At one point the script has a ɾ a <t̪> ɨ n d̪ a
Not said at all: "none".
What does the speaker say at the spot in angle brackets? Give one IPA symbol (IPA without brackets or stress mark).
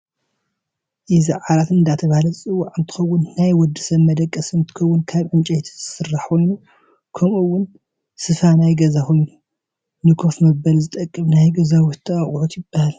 t̪